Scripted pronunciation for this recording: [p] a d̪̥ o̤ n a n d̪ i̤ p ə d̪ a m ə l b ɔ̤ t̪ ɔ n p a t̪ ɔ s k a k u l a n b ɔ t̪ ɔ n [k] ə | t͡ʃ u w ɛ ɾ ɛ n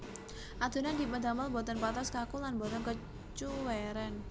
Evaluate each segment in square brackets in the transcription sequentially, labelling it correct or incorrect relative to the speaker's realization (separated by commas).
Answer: incorrect, correct